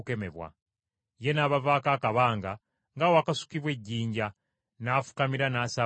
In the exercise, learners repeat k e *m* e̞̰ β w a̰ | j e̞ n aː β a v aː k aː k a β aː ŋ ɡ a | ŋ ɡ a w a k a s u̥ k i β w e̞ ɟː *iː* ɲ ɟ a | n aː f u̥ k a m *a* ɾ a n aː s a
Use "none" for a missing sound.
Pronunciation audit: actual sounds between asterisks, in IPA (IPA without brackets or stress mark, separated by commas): m, iː, i